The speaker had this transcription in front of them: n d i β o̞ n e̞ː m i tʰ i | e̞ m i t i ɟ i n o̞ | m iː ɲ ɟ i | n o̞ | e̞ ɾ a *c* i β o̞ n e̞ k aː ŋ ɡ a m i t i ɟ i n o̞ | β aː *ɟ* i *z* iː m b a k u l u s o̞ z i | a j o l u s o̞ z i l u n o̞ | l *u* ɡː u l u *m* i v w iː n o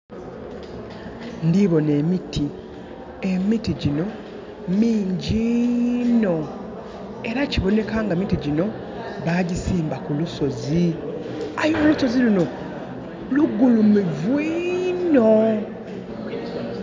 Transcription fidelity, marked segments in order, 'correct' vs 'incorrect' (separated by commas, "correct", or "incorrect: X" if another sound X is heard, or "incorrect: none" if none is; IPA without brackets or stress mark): correct, correct, incorrect: s, correct, correct